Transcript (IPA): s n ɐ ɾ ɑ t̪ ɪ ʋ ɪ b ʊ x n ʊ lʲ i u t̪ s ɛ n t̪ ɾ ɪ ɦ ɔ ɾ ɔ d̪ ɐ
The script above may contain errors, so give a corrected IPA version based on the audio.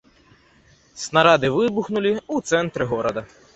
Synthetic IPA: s n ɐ ɾ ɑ d̪ ɪ ʋ ɪ b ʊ x n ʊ lʲ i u t̪ s ɛ n t̪ ɾ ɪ ɦ ɔ ɾ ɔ d̪ ɐ